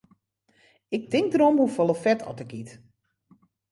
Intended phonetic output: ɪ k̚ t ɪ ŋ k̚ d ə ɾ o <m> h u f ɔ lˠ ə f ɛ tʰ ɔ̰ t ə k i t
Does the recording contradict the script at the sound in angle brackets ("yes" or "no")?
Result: no